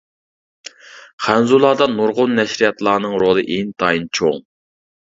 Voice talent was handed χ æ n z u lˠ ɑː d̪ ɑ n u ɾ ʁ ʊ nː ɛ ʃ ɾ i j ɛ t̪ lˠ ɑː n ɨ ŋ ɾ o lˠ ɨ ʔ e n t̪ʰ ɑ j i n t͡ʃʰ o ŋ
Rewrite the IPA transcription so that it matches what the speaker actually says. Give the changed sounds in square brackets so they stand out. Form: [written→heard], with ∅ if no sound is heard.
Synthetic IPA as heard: χ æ n z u lˠ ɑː d̪ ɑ n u ɾ ʁ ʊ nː ɛ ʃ ɾ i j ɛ t̪ lˠ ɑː n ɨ ŋ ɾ o lˠ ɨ ʔ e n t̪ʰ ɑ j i n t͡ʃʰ o ŋ